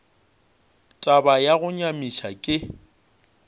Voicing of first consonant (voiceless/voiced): voiceless